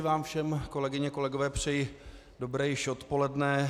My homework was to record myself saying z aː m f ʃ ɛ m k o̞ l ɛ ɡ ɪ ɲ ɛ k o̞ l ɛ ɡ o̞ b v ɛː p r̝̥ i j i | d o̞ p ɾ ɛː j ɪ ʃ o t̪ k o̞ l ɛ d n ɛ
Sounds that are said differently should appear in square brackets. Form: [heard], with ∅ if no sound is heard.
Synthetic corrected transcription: [v] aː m f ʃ ɛ m k o̞ l ɛ ɡ ɪ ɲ ɛ k o̞ l ɛ ɡ o̞ [∅] v ɛː p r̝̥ [ɛ] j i | d o̞ [b] ɾ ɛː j ɪ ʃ o t̪ [p] o̞ l ɛ d n ɛ